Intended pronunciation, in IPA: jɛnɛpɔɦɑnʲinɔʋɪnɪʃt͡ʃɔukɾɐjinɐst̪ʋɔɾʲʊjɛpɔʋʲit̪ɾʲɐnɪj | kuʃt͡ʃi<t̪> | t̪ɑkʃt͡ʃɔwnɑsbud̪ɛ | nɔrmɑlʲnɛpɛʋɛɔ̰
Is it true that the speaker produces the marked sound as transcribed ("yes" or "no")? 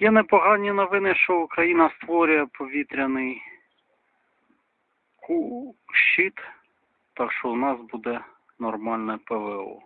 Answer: yes